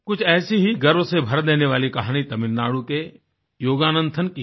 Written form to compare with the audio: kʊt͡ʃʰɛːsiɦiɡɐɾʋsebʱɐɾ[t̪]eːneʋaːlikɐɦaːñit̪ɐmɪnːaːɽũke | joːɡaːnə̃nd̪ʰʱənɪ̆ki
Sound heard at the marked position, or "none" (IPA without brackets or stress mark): d̪